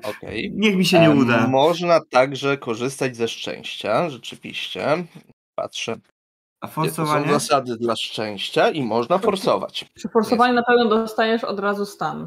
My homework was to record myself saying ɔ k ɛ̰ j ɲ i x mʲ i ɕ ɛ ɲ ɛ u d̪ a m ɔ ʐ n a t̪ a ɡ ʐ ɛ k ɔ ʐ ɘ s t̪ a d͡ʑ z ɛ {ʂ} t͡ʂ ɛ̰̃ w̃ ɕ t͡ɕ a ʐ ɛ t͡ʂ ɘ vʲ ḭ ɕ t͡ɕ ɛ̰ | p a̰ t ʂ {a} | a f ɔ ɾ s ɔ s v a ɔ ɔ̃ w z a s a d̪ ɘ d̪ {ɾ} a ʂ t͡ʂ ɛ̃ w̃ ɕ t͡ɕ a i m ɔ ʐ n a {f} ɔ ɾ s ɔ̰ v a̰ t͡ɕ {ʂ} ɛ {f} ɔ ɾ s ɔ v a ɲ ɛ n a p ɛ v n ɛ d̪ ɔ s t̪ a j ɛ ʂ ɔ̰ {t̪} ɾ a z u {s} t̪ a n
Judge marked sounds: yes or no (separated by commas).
yes, no, no, yes, yes, yes, no, yes